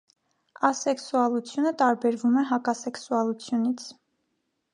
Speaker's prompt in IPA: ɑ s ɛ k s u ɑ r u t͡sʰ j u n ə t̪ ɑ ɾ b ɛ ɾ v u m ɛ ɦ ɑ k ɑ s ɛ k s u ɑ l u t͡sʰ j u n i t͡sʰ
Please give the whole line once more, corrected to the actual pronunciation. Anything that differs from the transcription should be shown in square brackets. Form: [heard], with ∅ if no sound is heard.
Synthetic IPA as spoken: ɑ s ɛ k s u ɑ [l] u t͡sʰ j u n ə t̪ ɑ ɾ b ɛ ɾ v u m ɛ ɦ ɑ k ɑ s ɛ k s u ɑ l u t͡sʰ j u n i t͡sʰ